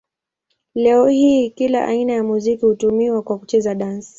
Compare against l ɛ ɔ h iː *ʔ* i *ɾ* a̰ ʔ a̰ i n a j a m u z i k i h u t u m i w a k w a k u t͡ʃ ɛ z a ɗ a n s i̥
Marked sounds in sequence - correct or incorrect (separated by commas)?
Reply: incorrect, incorrect